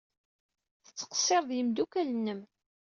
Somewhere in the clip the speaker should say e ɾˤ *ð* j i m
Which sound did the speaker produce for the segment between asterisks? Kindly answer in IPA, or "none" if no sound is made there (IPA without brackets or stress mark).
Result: ð